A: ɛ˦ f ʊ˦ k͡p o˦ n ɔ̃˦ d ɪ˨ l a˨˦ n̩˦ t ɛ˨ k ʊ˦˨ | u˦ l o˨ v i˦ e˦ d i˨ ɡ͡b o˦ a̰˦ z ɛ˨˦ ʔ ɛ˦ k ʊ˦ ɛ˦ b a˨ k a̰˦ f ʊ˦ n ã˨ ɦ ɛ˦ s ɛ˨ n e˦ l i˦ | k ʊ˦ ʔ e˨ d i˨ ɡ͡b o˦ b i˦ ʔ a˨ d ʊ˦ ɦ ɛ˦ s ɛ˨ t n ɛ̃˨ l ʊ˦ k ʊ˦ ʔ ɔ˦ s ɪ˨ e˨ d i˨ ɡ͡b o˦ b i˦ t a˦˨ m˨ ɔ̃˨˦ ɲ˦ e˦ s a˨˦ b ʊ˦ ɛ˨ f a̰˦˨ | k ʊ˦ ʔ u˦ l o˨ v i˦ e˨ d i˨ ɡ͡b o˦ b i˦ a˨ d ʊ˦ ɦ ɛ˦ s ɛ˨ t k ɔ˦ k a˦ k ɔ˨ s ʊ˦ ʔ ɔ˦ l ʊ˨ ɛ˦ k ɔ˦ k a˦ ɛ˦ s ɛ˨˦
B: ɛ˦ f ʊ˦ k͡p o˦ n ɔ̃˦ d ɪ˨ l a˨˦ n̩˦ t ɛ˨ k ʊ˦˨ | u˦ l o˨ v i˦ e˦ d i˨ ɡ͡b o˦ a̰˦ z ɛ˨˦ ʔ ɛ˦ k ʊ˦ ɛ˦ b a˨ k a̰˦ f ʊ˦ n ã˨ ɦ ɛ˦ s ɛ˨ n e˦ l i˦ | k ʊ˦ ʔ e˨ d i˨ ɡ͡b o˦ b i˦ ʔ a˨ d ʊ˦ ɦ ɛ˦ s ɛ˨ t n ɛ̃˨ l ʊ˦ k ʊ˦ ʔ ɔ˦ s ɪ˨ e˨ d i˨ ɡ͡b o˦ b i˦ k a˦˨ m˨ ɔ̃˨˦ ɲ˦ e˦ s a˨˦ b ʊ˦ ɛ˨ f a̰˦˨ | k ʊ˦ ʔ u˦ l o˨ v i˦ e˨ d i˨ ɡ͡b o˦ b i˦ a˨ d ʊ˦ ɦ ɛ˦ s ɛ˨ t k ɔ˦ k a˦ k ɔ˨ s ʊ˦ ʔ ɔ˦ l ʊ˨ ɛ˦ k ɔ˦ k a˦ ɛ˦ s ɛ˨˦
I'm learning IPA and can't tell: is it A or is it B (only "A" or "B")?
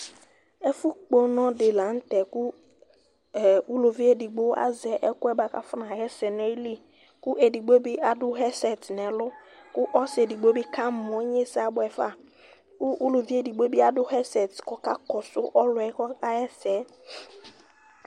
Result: B